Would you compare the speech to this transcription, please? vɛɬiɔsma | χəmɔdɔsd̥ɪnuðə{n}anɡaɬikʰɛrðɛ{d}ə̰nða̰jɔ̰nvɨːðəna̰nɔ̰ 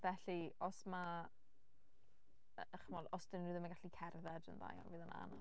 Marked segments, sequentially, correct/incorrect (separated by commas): incorrect, correct